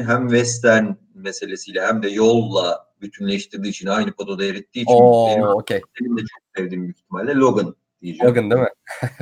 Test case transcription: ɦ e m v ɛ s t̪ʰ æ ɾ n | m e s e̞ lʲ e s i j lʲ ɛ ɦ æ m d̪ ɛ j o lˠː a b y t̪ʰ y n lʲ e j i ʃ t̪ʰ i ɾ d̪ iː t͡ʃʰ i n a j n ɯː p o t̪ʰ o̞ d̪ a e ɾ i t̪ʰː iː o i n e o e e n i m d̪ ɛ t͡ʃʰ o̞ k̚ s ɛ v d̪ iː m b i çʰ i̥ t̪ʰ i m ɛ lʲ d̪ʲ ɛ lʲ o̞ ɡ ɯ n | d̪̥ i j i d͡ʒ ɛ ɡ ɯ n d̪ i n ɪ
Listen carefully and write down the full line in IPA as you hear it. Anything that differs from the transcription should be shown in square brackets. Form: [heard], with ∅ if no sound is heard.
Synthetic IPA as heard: ɦ [æ] m v ɛ s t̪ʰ æ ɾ n | m e s e̞ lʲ e s i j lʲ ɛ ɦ æ m d̪ ɛ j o lˠː a b y t̪ʰ y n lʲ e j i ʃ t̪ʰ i ɾ d̪ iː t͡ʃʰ i n a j n [ɯ] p o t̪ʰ o̞ d̪ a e ɾ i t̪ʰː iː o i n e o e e n i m d̪ ɛ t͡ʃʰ o̞ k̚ s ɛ v d̪ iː m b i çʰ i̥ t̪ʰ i m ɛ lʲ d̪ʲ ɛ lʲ o̞ ɡ ɯ n | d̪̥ i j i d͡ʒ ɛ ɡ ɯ n d̪ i [m] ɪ